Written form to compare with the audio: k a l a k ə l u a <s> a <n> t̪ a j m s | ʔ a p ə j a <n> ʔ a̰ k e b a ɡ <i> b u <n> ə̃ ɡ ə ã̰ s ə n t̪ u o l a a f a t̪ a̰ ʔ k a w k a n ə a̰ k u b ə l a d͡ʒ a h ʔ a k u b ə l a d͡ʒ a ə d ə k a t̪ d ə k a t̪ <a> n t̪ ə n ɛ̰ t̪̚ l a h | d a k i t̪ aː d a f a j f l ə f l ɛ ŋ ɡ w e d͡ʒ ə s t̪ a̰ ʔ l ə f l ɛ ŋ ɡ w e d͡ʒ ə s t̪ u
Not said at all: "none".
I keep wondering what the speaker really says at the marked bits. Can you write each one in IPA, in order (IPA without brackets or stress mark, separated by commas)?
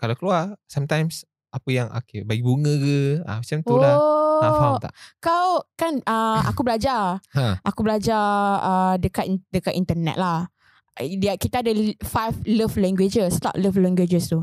s, m, ŋ, i, ŋ, i